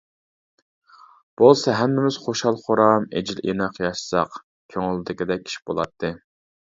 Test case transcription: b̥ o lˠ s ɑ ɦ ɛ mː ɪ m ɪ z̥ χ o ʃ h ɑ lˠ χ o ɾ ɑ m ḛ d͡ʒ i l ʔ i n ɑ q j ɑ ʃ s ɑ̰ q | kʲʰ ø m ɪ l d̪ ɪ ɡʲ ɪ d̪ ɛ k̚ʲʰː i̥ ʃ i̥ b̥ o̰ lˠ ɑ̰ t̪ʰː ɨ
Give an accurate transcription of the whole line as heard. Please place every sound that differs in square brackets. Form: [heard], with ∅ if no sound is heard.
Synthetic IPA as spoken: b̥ o lˠ s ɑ ɦ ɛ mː ɪ m ɪ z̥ χ o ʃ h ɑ lˠ χ o ɾ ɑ m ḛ d͡ʒ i l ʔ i n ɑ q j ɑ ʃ s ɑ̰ q | kʲʰ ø [ŋ] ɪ l d̪ ɪ [kʲ] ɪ d̪ ɛ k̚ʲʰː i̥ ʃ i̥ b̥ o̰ lˠ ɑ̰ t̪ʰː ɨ